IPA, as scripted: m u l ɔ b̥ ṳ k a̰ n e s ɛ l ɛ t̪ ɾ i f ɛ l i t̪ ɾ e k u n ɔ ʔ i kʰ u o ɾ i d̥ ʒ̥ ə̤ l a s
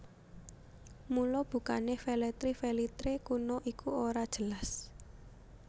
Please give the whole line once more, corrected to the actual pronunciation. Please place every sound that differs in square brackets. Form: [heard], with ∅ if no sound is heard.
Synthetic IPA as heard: m u l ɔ b̥ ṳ k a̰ n e [f] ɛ l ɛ t̪ ɾ i f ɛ l i t̪ ɾ e k u n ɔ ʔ i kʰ u o ɾ [a] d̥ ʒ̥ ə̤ l a s